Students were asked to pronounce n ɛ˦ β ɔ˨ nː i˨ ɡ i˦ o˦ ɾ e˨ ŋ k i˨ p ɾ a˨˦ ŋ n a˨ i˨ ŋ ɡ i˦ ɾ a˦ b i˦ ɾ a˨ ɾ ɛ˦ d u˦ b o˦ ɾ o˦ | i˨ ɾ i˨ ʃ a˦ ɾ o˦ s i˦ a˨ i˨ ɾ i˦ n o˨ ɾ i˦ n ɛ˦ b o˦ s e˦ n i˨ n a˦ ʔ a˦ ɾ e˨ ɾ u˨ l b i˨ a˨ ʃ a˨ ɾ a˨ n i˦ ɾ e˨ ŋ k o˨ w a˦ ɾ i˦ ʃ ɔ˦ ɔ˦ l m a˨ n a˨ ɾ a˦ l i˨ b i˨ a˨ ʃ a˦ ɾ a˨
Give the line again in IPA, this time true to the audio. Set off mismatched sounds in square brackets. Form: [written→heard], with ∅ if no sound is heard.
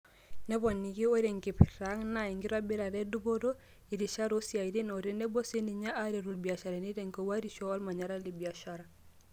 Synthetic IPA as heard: n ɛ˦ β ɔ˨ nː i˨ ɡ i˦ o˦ ɾ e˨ ŋ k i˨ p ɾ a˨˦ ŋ n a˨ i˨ ŋ ɡ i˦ ɾ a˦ b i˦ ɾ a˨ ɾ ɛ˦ d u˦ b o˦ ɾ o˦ | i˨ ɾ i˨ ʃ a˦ ɾ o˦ s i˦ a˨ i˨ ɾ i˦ n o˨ ɾ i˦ n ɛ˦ b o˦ s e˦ n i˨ [n→ɲ] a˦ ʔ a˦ ɾ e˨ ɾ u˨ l b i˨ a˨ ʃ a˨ ɾ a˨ n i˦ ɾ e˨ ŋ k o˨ w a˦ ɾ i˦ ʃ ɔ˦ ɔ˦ l m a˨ [n→ɲ] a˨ ɾ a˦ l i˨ b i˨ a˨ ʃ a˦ ɾ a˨

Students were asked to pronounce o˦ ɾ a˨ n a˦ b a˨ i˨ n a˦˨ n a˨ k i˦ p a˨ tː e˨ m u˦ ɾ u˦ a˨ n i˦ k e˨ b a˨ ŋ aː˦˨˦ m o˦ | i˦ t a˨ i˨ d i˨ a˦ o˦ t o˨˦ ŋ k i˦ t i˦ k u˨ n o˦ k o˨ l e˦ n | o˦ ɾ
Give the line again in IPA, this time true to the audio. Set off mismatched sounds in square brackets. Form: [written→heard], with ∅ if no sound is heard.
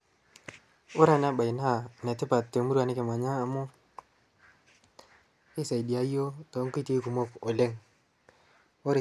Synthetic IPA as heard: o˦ ɾ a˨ n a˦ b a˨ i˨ n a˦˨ n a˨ [k→t] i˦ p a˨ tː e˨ m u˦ ɾ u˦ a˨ n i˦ k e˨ [b→m] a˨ [ŋ→ɲ] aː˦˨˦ m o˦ | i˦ [t→s] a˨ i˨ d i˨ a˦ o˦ t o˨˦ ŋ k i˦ t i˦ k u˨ [n→m] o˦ k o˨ l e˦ [n→ŋ] | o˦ ɾ

